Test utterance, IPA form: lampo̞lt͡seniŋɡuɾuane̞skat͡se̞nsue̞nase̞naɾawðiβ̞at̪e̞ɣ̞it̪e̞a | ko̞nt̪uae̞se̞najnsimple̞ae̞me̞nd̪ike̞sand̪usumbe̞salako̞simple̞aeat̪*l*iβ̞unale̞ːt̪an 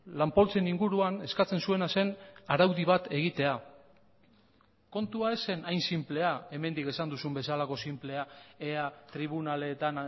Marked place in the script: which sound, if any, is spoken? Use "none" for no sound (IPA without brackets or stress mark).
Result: ɾ